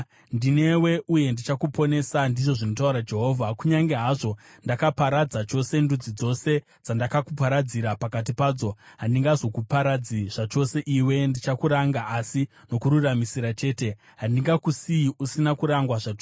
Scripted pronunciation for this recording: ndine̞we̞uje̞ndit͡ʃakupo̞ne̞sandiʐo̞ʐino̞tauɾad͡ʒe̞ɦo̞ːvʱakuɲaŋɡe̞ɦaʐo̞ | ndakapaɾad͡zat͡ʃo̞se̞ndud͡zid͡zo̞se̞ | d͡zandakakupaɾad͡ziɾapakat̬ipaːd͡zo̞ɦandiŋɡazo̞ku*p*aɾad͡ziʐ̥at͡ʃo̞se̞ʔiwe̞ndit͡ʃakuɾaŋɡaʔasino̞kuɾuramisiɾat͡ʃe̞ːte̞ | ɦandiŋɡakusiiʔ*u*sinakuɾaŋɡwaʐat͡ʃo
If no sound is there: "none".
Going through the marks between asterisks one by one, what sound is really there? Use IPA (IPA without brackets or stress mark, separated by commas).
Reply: p, u